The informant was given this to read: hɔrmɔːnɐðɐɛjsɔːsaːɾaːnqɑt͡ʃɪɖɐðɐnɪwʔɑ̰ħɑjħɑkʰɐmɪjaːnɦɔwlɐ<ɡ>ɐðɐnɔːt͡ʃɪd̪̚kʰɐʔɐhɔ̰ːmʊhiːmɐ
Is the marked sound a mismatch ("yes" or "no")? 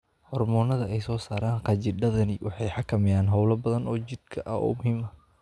yes